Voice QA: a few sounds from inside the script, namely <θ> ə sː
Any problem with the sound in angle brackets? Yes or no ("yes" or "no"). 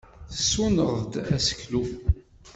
no